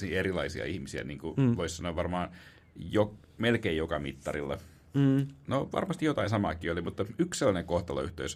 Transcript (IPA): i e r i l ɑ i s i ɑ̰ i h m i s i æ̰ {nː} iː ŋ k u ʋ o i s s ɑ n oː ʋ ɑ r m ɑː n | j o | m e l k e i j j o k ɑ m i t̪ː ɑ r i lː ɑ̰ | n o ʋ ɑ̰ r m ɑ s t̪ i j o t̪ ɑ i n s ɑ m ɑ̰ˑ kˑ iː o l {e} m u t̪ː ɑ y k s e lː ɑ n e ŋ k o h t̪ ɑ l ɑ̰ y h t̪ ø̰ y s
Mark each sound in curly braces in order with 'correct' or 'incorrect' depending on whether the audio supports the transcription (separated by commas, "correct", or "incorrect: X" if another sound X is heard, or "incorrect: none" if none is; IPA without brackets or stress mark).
incorrect: n, incorrect: i